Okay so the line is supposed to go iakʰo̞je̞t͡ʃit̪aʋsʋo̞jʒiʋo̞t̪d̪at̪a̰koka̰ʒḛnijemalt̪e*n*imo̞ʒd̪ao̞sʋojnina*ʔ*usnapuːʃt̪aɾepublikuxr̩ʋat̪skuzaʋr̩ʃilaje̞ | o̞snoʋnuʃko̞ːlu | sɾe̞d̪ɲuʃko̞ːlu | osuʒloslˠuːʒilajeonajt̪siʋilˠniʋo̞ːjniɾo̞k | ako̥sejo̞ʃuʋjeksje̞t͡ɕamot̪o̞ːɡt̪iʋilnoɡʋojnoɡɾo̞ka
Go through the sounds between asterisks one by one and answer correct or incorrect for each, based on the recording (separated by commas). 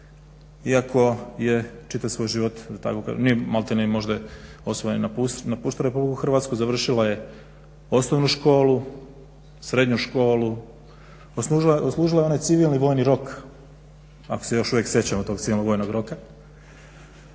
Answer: correct, incorrect